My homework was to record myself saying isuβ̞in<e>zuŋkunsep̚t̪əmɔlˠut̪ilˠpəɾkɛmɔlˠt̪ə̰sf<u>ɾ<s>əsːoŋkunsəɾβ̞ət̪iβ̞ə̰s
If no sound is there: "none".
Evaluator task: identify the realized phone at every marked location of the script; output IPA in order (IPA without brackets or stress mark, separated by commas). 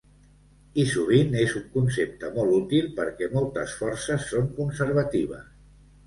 e, ɔ, s